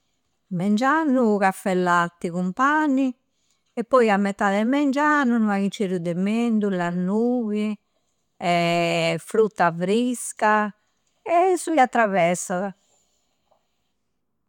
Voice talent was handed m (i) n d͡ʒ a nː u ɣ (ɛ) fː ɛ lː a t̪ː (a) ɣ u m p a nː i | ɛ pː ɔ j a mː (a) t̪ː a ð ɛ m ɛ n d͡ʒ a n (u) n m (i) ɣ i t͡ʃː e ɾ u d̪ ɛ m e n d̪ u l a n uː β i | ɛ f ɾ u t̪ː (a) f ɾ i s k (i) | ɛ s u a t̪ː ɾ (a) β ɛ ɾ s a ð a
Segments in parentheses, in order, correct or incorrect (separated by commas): incorrect, incorrect, incorrect, incorrect, correct, incorrect, correct, incorrect, correct